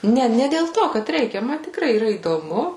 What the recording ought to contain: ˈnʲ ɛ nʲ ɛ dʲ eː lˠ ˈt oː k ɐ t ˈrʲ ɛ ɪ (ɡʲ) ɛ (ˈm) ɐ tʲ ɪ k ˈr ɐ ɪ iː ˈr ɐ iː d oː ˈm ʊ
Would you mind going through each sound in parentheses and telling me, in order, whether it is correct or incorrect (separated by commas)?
incorrect, correct